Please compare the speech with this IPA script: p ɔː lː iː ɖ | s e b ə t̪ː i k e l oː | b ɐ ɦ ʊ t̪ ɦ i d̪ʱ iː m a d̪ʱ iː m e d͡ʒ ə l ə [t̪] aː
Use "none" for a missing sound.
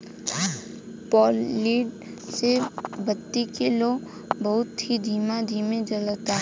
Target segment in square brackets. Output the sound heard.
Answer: t̪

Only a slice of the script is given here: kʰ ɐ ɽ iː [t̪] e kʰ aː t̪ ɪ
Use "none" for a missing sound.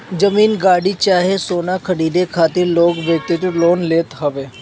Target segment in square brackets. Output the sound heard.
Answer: d̪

